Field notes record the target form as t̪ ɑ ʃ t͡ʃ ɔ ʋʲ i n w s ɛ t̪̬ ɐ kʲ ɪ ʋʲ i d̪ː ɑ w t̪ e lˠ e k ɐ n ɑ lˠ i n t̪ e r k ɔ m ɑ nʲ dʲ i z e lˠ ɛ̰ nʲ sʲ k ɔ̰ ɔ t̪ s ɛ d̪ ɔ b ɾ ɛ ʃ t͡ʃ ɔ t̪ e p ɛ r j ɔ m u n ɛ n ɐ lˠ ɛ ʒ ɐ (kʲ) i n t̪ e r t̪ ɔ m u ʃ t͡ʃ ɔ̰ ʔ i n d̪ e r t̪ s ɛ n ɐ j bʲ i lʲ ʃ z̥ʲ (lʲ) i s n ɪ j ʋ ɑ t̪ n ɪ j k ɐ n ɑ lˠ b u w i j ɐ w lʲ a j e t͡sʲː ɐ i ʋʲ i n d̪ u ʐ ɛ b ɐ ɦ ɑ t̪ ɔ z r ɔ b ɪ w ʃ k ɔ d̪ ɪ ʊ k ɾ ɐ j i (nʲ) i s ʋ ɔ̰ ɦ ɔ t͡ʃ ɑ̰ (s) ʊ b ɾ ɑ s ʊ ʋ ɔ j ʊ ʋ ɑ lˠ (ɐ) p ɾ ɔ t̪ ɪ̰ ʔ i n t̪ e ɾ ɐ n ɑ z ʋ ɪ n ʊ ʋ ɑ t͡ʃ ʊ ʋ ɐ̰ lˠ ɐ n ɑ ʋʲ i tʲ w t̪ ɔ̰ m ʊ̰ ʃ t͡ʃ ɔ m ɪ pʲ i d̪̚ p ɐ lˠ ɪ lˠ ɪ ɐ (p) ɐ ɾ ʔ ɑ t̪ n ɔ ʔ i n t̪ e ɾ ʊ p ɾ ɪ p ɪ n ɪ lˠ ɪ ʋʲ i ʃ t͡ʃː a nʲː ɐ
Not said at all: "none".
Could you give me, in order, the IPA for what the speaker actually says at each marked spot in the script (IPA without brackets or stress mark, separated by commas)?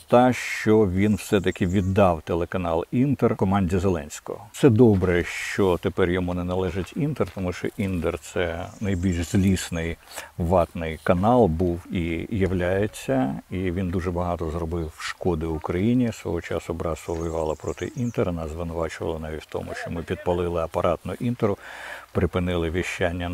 tʲ, lʲ, nʲ, s, ɐ, p